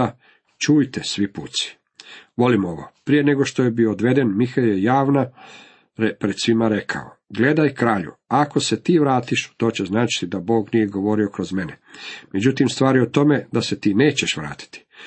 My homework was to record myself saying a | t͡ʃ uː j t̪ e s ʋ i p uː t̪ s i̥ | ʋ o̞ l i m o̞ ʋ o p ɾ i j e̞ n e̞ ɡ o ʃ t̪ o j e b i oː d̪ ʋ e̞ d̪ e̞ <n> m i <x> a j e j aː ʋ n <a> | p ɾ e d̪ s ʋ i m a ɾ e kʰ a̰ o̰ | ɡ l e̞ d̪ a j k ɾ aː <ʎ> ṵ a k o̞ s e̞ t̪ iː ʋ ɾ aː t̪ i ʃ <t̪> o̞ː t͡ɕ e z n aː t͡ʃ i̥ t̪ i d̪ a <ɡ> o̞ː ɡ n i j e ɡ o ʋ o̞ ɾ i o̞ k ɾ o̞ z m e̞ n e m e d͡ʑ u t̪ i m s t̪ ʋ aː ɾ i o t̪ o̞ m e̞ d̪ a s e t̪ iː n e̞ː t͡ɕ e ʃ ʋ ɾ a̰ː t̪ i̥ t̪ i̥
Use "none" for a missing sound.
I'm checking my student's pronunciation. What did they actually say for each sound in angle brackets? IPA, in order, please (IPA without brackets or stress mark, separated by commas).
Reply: n, x, a, ʎ, t̪, b